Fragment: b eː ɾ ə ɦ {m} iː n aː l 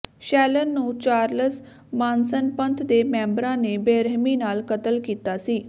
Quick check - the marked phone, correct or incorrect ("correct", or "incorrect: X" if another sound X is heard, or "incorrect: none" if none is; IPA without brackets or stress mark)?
correct